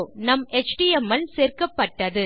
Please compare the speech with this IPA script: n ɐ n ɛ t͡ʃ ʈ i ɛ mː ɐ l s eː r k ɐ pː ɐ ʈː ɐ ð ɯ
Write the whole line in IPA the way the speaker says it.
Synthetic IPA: n ɐ m ɛ t͡ʃ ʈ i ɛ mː ɐ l s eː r k ɐ pː ɐ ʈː ɐ ð ɯ

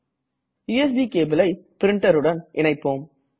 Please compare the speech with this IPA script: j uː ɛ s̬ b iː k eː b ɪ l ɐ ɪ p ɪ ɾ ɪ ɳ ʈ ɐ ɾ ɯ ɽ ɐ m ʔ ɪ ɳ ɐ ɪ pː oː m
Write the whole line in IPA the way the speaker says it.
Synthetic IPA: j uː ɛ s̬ b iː k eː b ɪ l ɐ ɪ p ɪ ɾ ɪ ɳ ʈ ɐ ɾ ɯ ɽ ɐ n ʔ ɪ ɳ ɐ ɪ pː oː m

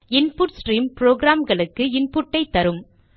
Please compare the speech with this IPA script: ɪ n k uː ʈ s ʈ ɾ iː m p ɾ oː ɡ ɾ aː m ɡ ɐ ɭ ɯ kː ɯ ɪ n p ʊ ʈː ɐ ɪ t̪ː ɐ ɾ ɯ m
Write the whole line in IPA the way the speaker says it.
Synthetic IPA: ɪ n p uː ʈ s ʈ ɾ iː m p ɾ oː ɡ ɾ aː m ɡ ɐ ɭ ɯ kː ɯ ɪ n p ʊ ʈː ɐ ɪ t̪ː ɐ ɾ ɯ m

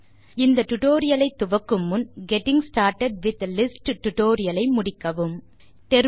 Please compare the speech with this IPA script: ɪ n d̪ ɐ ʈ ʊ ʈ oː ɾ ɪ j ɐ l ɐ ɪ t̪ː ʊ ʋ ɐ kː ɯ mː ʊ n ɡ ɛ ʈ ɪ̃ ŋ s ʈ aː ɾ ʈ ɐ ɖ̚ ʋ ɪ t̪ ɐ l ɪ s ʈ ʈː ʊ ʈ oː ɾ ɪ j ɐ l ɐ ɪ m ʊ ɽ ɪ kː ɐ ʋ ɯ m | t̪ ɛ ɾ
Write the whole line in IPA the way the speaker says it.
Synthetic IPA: ɪ n d̪ ɐ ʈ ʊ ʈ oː ɾ ɪ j ɐ l ɐ ɪ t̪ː ʊ ʋ ɐ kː ɯ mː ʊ n ɡ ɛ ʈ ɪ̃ ŋ s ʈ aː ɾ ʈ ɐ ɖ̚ ʋ ɪ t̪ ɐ l ɪ s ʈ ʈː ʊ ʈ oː ɾ ɪ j ɐ l ɐ ɪ m ʊ ɽ ɪ kː ɐ ʋ ɯ m | t̪ ɛ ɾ

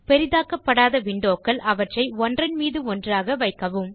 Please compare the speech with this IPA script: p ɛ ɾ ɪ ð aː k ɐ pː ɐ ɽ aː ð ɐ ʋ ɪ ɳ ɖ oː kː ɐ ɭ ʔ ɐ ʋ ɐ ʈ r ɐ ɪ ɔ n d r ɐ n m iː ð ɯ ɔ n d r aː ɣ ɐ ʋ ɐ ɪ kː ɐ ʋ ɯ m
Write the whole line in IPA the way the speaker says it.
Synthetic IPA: p ɛ ɾ ɪ ð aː k ɐ pː ɐ ɽ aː ð ɐ ʋ ɪ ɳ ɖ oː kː ɐ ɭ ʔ ɐ ʋ ɐ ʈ r ɐ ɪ ɔ n d r ɐ n m iː ð ɯ ɔ n d r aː ɣ ɐ ʋ ɐ ɪ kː ɐ ʋ ɯ m

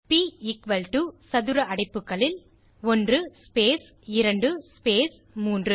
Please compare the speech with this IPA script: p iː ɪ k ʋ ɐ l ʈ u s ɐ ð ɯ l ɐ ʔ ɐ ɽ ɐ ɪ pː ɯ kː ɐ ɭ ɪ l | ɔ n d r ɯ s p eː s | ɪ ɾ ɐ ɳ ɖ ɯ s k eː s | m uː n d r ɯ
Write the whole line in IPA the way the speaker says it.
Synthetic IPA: p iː ɪ k ʋ ɐ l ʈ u s ɐ ð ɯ ɾ ɐ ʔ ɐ ɽ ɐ ɪ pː ɯ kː ɐ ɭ ɪ l | ɔ n d r ɯ s p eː s | ɪ ɾ ɐ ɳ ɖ ɯ s p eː s | m uː n d r ɯ

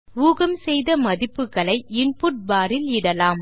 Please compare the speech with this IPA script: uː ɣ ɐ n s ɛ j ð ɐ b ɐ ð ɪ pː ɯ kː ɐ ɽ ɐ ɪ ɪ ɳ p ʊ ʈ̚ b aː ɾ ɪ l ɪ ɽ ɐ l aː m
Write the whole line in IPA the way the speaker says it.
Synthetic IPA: uː ɣ ɐ m s ɛ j ð ɐ m ɐ ð ɪ pː ɯ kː ɐ ɭ ɐ ɪ ɪ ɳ p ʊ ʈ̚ b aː ɾ ɪ l ɪ ɽ ɐ l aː m

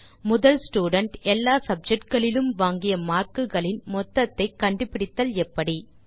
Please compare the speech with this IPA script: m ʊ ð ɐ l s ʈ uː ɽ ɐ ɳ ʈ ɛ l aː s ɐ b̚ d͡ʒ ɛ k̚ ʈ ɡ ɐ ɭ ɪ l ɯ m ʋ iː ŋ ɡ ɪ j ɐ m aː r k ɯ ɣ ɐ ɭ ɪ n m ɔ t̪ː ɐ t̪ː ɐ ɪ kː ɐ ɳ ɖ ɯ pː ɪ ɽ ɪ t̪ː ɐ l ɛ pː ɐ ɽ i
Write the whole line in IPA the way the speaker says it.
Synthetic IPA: m ʊ ð ɐ l s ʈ uː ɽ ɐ ɳ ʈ ɛ lː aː s ɐ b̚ d͡ʒ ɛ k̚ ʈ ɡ ɐ ɭ ɪ l ɯ m ʋ aː ŋ ɡ ɪ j ɐ m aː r k ɯ ɣ ɐ ɭ ɪ n m ɔ t̪ː ɐ t̪ː ɐ ɪ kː ɐ ɳ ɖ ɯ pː ɪ ɽ ɪ t̪ː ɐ l ɛ pː ɐ ɽ i

